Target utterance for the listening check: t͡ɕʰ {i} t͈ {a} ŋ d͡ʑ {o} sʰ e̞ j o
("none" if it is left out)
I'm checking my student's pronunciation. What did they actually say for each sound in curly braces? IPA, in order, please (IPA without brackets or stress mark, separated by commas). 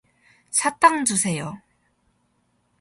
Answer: a, a, u